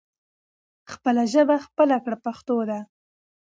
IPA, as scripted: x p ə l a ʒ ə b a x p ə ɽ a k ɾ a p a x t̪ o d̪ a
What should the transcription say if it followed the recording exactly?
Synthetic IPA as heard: x p ə l a ʒ ə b a x p ə l a k ɽ a p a x t̪ o d̪ a